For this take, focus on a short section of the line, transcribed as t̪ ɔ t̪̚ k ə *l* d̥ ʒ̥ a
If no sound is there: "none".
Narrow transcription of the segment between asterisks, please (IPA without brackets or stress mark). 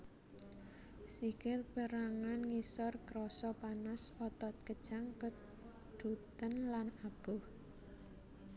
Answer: none